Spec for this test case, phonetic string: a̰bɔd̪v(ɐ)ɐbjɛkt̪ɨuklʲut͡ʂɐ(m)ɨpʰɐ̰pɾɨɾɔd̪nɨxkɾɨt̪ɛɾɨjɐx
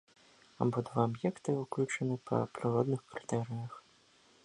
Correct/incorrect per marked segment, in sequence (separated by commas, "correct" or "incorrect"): incorrect, incorrect